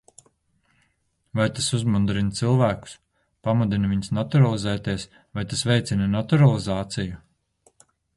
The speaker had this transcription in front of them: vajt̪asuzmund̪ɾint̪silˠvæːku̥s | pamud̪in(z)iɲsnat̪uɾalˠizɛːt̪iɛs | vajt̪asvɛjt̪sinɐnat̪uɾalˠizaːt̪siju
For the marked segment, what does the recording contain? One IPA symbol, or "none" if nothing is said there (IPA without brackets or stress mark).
v